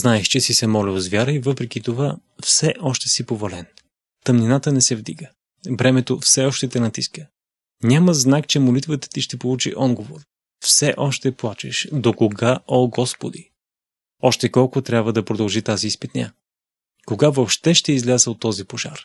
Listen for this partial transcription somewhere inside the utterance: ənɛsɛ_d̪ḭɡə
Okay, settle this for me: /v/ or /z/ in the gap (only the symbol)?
v